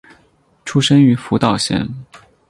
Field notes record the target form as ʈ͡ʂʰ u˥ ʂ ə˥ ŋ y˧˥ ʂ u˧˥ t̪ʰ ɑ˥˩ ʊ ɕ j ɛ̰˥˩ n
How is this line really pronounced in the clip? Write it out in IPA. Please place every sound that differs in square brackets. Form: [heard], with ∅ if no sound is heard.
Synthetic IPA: ʈ͡ʂʰ u˥ ʂ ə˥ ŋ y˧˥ [f] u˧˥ [t̪] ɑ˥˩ ʊ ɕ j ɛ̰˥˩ n